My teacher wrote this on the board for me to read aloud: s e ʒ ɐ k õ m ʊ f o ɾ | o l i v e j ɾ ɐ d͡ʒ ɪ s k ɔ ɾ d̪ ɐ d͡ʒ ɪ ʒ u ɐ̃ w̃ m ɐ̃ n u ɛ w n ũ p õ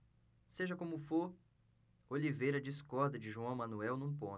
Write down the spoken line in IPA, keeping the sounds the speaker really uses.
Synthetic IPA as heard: s e ʒ ɐ k õ m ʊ f o ɾ | o l i v e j ɾ ɐ d͡ʒ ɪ s k ɔ ɾ d̪ ɐ d͡ʒ ɪ ʒ u ɐ̃ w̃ m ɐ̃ n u ɛ w n ũ p õ